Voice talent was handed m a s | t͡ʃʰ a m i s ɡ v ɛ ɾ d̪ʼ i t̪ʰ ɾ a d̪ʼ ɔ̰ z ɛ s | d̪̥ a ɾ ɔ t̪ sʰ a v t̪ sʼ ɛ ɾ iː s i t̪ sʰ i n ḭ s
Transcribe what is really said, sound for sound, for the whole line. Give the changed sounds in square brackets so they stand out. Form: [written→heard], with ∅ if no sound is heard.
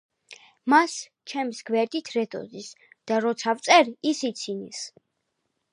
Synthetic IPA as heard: m a s | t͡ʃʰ [a→ɛ] m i s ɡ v ɛ ɾ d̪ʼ i t̪ʰ ɾ [a→ɛ] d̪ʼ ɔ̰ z [ɛ→i] s | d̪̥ a ɾ ɔ t̪ sʰ a v t̪ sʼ ɛ ɾ [iː→i] s i t̪ sʰ i n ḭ s